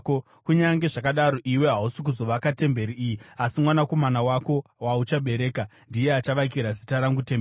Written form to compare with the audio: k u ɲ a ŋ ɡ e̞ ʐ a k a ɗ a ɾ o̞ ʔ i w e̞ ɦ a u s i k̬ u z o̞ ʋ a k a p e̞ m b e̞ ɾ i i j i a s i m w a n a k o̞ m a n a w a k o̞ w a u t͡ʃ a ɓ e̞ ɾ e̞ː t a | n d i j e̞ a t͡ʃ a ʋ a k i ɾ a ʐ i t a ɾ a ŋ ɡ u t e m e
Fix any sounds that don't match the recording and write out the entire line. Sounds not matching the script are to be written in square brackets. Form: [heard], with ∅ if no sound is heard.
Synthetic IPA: k u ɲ a ŋ ɡ e̞ ʐ a k a ɗ a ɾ o̞ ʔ i w e̞ ɦ a u s i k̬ u z o̞ ʋ a k a [t] e̞ m b e̞ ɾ i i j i a s i m w a n a k o̞ m a n a w a k o̞ w a u t͡ʃ a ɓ e̞ ɾ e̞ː [k] a | n d i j e̞ a t͡ʃ a ʋ a k i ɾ a [z] i t a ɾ a ŋ ɡ u t e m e